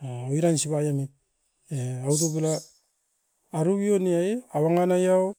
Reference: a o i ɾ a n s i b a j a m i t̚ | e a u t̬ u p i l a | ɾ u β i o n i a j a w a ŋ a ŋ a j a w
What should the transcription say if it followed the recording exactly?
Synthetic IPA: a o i ɾ a n s i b a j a m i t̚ | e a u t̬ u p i l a | ɾ u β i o n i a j a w a ŋ a n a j a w